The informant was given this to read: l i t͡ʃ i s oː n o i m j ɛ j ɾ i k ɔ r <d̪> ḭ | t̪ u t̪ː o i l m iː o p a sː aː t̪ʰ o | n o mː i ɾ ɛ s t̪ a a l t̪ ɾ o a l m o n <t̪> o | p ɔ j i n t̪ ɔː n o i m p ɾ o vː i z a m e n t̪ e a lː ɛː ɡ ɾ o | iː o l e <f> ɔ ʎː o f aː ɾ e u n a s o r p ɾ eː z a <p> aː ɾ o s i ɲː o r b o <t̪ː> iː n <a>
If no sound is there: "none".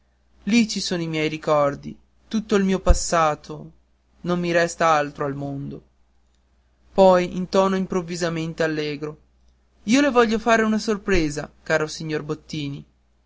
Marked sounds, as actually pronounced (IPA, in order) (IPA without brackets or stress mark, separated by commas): d̪, d̪, v, k, t̪ː, i